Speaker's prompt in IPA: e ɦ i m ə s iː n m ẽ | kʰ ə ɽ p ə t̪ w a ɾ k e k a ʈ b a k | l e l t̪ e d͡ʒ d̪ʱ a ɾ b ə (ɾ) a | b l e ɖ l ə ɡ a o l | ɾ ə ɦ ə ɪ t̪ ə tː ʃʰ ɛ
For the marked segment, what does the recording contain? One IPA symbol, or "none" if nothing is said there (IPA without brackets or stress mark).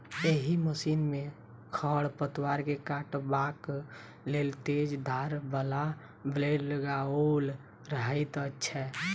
l